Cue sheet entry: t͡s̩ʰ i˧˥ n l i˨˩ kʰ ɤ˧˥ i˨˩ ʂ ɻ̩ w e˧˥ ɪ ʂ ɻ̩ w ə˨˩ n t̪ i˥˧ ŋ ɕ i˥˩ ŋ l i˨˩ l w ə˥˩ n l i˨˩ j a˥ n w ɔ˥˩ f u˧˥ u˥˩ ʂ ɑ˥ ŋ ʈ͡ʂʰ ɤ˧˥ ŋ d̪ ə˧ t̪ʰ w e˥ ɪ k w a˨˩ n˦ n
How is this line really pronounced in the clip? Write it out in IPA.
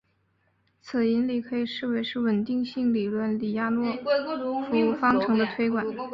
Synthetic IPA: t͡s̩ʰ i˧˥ n l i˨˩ kʰ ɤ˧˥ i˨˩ ʂ ɻ̩ w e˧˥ ɪ ʂ ɻ̩ w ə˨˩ n t̪ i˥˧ ŋ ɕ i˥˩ ŋ l i˨˩ l w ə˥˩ n l i˨˩ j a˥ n w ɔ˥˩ f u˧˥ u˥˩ f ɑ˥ ŋ ʈ͡ʂʰ ɤ˧˥ ŋ d̪ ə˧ t̪ʰ w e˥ ɪ k w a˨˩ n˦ n